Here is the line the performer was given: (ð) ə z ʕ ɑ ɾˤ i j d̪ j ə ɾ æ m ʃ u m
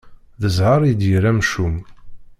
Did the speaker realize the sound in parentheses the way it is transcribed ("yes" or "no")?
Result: yes